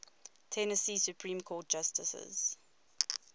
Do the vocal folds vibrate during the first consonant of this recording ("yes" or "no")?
no